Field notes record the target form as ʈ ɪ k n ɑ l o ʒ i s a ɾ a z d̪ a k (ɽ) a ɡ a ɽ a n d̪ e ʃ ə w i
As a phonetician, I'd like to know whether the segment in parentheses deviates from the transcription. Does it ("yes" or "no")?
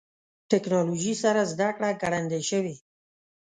no